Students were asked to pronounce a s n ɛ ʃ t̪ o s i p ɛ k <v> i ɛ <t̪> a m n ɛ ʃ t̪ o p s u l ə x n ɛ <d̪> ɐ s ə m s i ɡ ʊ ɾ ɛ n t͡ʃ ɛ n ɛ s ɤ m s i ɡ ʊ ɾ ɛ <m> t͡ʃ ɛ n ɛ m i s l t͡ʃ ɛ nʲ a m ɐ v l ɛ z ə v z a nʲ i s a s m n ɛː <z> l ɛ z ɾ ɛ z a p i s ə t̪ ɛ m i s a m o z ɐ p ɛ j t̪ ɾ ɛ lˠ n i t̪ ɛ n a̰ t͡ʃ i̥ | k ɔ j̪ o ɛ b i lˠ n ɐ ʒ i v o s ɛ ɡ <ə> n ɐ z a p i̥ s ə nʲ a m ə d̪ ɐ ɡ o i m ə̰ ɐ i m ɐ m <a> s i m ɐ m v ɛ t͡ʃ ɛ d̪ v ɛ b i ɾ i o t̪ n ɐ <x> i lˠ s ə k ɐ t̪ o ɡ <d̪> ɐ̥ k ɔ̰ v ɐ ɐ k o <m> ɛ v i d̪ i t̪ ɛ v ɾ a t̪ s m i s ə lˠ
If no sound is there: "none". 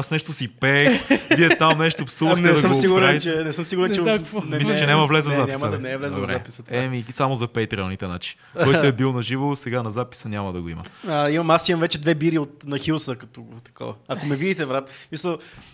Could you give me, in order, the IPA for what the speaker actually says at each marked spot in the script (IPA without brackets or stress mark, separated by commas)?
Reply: v, t̪, d̪, n, v, a, a, x, t̪, m